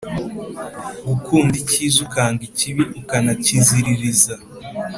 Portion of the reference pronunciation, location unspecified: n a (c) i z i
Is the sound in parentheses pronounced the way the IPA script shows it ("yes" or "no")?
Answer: yes